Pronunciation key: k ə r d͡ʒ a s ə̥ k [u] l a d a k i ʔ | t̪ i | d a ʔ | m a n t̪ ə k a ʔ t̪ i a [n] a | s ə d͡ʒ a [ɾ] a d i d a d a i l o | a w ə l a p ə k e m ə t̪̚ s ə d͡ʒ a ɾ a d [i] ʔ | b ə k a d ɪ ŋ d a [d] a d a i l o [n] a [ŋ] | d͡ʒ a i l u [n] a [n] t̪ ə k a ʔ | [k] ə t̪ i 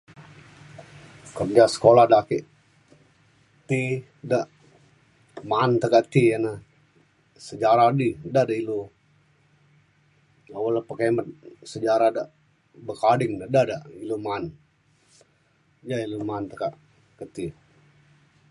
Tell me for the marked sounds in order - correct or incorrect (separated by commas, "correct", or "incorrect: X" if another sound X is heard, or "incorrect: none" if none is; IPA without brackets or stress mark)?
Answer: incorrect: o, correct, correct, incorrect: a, correct, incorrect: m, incorrect: n, incorrect: m, correct, correct